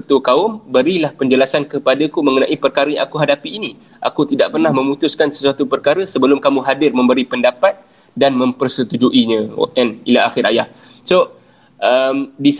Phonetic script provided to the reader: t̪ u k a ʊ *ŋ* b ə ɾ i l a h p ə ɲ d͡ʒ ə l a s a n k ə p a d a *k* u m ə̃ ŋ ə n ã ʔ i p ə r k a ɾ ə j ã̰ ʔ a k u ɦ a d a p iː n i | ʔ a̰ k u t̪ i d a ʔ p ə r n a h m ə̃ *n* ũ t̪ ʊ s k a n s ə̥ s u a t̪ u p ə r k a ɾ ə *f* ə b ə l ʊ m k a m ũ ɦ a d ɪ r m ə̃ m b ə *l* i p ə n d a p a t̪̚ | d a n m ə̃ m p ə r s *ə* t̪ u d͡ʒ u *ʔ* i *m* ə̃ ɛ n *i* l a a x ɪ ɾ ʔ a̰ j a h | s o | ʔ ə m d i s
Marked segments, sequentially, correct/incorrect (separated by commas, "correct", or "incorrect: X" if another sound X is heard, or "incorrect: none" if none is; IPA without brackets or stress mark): incorrect: m, correct, incorrect: m, incorrect: s, incorrect: ɾ, correct, correct, incorrect: ɲ, correct